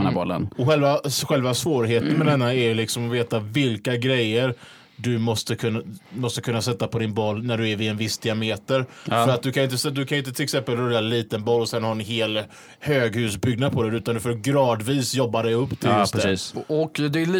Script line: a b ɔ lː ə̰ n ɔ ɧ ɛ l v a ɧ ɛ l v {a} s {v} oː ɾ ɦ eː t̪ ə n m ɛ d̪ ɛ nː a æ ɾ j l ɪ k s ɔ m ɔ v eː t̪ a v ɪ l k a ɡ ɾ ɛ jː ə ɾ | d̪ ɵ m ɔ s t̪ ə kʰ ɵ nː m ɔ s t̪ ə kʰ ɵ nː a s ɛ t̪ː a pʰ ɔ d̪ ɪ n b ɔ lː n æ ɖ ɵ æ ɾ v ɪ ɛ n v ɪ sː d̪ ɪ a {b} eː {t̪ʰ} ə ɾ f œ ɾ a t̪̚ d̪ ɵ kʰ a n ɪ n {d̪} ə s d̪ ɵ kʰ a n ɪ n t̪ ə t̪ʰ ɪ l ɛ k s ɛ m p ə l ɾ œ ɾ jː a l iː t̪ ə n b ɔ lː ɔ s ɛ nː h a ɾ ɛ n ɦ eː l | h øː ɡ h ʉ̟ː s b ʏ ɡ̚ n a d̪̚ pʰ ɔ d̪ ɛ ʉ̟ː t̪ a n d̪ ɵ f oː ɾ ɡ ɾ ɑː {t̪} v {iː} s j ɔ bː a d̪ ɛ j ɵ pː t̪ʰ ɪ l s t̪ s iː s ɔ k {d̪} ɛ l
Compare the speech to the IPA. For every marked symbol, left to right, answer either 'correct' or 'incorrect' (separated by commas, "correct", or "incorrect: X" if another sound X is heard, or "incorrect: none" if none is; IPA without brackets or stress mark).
correct, correct, incorrect: m, incorrect: t̪, incorrect: t̪, incorrect: d̪, correct, correct